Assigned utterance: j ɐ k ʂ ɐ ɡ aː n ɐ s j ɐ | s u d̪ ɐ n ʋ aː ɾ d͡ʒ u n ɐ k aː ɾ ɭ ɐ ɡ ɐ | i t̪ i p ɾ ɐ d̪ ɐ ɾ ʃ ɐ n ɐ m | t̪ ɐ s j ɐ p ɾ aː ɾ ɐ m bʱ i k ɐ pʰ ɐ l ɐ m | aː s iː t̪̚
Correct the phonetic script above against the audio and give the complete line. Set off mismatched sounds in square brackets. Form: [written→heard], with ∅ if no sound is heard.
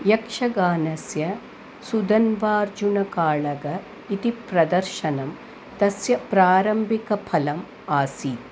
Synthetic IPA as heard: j ɐ k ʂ ɐ ɡ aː n ɐ s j ɐ | s u d̪ ɐ n ʋ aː ɾ d͡ʒ u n ɐ k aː [ɾ→∅] ɭ ɐ ɡ ɐ | i t̪ i p ɾ ɐ d̪ ɐ ɾ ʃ ɐ n ɐ m | t̪ ɐ s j ɐ p ɾ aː ɾ ɐ m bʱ i k ɐ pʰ ɐ l ɐ m | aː s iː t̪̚